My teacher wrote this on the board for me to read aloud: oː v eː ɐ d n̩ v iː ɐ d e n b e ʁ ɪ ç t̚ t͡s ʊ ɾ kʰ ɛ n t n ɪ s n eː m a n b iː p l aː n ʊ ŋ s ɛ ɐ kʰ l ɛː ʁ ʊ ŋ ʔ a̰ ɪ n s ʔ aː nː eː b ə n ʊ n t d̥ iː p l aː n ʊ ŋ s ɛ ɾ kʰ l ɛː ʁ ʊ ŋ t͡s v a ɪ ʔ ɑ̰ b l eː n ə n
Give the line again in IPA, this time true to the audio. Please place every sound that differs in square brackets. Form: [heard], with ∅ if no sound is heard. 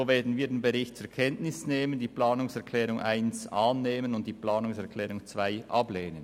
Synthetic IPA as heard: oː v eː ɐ d n̩ v iː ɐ d e n b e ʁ ɪ ç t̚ t͡s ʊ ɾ kʰ ɛ n t n ɪ s n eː m [ə] n [d] iː p l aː n ʊ ŋ s ɛ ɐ kʰ l ɛː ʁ ʊ ŋ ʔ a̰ ɪ n s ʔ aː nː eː [m] ə n ʊ n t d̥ iː p l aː n ʊ ŋ s ɛ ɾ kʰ l ɛː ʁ ʊ ŋ t͡s v a ɪ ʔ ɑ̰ b l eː n ə n